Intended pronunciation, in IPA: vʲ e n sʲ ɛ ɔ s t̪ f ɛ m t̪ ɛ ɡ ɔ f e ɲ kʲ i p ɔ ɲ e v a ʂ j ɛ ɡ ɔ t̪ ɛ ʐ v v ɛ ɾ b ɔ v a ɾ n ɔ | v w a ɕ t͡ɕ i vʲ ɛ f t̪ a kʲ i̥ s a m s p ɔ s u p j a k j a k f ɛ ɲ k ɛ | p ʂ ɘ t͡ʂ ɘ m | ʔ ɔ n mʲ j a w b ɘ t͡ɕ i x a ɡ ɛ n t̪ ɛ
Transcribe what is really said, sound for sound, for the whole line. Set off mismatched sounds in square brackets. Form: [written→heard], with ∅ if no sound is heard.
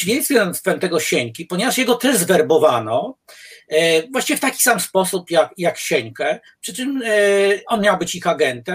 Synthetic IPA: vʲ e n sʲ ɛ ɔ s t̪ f ɛ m t̪ ɛ ɡ ɔ [f→ɕ] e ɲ kʲ i p ɔ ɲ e v a ʂ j ɛ ɡ ɔ t̪ ɛ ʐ [v→z] v ɛ ɾ b ɔ v a [ɾ→∅] n ɔ | v w a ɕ t͡ɕ i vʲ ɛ f t̪ a kʲ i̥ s a m s p ɔ s u p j a k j a k [f→ɕ] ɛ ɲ k ɛ | p ʂ ɘ t͡ʂ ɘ m | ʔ ɔ n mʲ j a w b ɘ t͡ɕ i x a ɡ ɛ n t̪ ɛ